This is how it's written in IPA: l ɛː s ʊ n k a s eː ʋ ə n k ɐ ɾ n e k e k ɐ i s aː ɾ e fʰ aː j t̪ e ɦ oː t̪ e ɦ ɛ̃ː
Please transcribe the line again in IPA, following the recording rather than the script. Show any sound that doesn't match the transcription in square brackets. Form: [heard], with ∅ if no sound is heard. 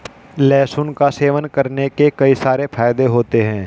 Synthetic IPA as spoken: l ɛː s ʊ n k a s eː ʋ ə n k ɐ ɾ n e k e k ɐ i s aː ɾ e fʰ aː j [d̪] e ɦ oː t̪ e ɦ ɛ̃ː